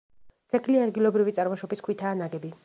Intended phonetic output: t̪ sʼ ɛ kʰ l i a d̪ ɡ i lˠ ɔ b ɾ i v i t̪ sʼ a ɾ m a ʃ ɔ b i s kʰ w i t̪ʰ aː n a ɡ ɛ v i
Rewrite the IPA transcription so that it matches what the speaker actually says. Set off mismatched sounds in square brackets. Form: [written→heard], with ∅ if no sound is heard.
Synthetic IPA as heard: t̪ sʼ ɛ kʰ l i a d̪ ɡ i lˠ ɔ b ɾ i v i t̪ sʼ a ɾ m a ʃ ɔ b i s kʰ w i t̪ʰ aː n a ɡ ɛ [v→b] i